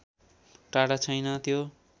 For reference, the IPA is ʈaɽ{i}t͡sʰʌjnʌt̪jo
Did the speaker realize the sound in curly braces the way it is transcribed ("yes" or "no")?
no